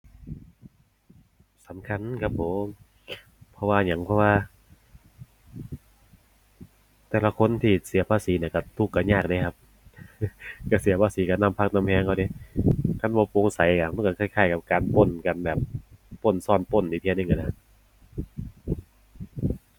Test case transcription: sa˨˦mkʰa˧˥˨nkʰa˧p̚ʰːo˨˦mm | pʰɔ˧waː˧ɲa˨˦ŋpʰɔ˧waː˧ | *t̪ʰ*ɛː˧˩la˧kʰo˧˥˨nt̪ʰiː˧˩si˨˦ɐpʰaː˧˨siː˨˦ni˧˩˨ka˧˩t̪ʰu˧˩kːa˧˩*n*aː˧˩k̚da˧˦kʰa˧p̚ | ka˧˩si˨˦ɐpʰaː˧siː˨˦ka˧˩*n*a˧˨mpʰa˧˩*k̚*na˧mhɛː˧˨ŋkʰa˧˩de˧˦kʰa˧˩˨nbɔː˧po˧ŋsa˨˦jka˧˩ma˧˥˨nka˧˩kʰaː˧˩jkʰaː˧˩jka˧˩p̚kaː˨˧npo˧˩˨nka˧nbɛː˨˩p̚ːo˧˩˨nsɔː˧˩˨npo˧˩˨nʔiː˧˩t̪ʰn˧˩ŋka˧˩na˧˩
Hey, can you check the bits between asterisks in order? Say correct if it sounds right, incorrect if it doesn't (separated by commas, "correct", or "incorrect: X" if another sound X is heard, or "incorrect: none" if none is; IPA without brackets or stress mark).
incorrect: t̪, incorrect: ɲ, correct, correct